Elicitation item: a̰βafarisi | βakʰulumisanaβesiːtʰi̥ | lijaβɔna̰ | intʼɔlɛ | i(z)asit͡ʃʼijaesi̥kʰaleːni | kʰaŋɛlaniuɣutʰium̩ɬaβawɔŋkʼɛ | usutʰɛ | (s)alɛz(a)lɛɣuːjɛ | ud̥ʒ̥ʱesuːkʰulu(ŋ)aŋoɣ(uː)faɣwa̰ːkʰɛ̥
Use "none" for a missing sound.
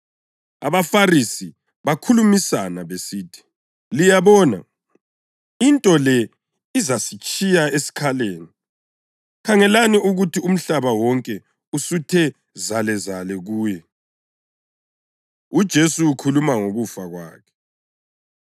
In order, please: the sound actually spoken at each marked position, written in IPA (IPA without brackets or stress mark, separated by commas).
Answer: z, z, a, m, u